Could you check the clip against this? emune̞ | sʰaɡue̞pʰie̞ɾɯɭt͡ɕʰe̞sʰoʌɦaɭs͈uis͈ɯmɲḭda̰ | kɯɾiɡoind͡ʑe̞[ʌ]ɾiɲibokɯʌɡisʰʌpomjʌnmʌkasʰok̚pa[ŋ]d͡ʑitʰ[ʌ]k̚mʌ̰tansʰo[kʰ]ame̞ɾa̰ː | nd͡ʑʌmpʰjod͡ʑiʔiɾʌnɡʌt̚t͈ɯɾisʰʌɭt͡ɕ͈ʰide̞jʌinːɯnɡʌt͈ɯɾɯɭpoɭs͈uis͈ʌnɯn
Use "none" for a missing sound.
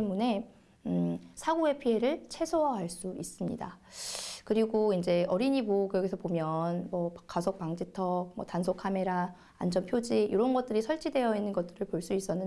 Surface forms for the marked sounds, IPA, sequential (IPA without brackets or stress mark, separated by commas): ʌ, ŋ, ʌ, kʰ